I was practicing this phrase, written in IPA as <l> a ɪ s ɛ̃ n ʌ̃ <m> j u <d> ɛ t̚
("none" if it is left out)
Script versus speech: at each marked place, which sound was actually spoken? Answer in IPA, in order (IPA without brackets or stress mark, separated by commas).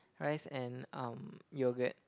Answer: ɹ, m, ɡ